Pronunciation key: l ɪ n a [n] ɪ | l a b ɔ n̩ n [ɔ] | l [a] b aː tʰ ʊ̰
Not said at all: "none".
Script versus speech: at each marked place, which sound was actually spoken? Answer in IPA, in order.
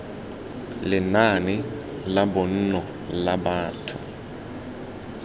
n, ɔ, a

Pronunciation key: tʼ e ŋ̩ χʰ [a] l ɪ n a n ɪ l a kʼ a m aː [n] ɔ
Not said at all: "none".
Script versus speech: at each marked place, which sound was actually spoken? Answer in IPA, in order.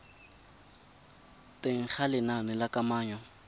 a, ɲ

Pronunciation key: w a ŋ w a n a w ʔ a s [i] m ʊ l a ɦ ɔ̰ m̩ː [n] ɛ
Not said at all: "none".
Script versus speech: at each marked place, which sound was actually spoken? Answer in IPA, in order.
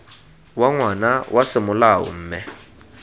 ɪ, m

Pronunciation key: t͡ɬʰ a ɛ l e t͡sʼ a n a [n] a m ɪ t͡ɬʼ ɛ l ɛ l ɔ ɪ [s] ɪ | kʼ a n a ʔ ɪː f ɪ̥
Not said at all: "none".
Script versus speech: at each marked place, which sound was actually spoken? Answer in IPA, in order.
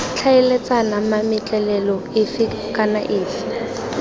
m, f

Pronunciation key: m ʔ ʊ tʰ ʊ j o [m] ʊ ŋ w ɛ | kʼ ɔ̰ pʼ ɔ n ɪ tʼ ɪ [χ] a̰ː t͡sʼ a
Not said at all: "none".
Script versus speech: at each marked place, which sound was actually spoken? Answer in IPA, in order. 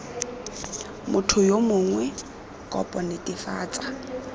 m, f

